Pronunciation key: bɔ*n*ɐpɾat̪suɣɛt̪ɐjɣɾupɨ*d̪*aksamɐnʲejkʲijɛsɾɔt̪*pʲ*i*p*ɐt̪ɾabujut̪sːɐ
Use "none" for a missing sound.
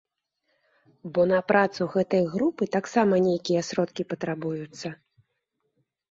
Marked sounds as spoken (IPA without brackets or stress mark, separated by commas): n, t̪, kʲ, p